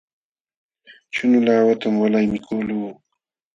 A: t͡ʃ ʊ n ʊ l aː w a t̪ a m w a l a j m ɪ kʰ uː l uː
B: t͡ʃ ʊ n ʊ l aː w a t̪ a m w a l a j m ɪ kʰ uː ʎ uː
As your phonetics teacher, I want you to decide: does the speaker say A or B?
A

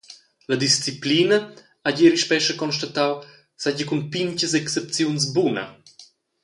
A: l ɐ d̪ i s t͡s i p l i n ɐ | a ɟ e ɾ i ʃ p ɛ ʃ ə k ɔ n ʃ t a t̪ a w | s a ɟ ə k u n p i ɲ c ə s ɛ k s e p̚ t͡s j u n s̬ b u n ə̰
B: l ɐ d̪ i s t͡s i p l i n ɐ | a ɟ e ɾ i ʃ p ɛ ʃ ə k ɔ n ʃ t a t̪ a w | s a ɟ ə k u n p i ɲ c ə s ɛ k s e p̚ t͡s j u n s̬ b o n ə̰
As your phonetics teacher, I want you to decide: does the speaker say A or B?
A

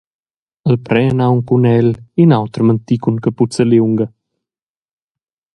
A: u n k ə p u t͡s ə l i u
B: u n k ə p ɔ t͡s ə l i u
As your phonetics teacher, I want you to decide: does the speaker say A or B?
A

